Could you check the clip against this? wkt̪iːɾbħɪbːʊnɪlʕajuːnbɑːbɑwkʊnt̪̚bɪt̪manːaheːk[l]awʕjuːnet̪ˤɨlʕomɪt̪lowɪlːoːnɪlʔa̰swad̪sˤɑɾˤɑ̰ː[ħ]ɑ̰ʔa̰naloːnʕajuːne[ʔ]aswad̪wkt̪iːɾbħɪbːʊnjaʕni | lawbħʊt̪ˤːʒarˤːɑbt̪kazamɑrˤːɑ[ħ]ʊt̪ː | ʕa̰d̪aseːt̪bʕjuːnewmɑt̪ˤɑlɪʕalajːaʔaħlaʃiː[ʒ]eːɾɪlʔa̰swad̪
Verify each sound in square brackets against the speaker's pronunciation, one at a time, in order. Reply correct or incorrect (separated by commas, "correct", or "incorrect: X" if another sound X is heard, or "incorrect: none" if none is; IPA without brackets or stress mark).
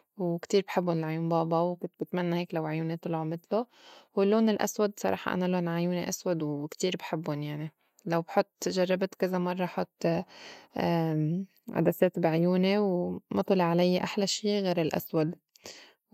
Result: correct, correct, correct, correct, incorrect: ɣ